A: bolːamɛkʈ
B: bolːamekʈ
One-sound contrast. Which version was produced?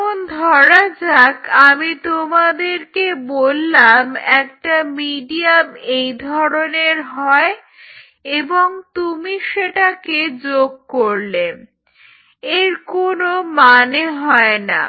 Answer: A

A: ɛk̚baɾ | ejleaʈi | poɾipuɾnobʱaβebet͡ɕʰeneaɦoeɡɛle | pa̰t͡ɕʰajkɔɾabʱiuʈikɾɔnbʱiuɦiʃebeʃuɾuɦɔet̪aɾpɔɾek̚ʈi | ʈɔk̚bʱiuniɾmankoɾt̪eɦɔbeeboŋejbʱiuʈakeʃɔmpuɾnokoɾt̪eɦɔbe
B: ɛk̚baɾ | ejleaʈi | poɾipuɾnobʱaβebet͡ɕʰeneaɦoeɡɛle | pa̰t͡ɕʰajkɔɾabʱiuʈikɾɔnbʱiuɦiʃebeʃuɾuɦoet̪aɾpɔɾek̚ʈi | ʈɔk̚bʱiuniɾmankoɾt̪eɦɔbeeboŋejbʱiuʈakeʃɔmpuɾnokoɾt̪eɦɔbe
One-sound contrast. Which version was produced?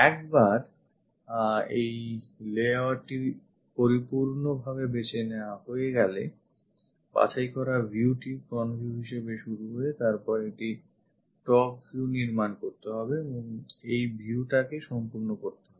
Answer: B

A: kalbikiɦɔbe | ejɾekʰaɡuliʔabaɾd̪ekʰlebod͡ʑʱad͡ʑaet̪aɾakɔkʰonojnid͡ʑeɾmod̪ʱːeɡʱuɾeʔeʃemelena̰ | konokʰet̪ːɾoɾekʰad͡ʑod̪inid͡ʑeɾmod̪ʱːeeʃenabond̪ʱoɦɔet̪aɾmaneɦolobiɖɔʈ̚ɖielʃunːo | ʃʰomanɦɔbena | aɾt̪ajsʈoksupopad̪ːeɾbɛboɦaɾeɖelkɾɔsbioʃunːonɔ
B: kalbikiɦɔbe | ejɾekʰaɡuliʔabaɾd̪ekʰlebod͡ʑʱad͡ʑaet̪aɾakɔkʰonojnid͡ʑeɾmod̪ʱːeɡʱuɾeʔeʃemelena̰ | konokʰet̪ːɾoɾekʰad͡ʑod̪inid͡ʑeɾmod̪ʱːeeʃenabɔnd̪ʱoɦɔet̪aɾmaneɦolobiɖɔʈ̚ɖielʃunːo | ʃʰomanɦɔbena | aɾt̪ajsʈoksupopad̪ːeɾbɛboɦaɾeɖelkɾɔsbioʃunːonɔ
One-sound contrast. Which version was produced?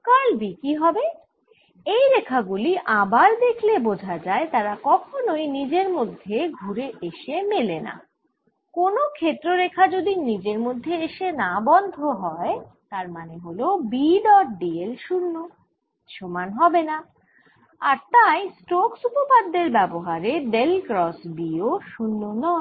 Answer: B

